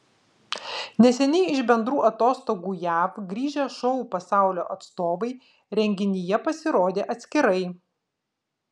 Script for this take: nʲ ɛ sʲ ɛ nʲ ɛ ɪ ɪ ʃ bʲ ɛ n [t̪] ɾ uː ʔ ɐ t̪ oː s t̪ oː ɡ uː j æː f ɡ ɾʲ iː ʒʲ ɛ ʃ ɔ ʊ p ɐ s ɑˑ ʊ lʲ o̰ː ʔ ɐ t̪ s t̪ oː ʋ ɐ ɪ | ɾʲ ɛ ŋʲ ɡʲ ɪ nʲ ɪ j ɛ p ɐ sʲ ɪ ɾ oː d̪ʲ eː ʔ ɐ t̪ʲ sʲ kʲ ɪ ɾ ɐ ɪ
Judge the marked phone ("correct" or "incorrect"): incorrect